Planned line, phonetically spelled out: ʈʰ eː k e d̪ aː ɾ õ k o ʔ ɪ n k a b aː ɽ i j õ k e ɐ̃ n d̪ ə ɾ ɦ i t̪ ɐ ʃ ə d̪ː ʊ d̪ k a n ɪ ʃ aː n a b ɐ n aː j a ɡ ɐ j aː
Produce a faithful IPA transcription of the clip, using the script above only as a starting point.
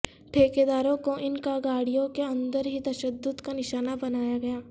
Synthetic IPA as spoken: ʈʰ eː k e d̪ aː ɾ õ k o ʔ ɪ n k a ɡ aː ɽ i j õ k e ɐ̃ n d̪ ə ɾ ɦ i t̪ ɐ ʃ ə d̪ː ʊ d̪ k a n ɪ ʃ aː n a b ɐ n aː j a ɡ ɐ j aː